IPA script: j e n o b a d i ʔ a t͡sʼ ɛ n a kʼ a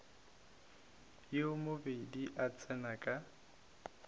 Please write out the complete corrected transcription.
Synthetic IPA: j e m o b e d i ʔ a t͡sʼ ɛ n a kʼ a